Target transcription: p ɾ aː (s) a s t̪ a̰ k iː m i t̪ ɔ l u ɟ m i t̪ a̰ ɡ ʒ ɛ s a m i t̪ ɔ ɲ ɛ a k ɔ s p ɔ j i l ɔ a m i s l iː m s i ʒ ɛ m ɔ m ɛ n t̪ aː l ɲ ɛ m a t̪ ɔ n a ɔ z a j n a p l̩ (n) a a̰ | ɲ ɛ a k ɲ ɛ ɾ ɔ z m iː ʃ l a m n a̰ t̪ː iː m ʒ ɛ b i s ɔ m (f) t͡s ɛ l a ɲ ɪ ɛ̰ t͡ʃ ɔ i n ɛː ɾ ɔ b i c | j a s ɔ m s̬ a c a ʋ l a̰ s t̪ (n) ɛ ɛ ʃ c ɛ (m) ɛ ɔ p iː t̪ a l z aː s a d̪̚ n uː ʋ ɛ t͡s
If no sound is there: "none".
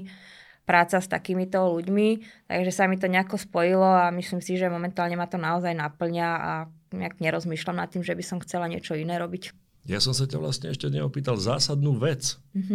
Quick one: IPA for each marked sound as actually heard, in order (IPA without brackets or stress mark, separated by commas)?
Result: t͡s, ɲ, x, ɲ, ɲ